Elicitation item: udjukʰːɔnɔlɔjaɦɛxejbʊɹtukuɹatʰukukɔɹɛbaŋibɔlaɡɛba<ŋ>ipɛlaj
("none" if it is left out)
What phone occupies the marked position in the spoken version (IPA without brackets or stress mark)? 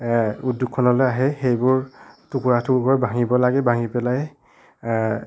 ŋ